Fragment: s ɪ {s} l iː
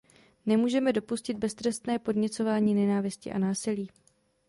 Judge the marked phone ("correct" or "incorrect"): incorrect